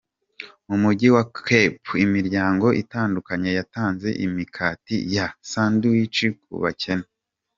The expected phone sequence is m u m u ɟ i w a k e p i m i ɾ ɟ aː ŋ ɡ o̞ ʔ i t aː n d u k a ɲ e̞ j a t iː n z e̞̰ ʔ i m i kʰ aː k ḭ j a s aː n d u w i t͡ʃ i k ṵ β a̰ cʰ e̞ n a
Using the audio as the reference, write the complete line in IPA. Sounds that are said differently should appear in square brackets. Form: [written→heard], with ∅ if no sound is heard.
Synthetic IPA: m u m u ɟ i w a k e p i m i ɾ ɟ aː ŋ ɡ o̞ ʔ i t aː n d u k a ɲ e̞ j a t [iː→aː] n z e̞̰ ʔ i m i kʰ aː [k→t] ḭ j a s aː n d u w i t͡ʃ i k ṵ β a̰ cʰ e̞ n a